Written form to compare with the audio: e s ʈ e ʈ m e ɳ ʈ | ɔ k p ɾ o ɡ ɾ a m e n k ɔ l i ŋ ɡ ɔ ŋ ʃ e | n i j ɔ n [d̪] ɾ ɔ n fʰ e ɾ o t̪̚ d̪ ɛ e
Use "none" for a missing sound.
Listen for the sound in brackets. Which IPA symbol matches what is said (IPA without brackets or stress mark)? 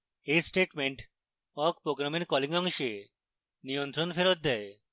t̪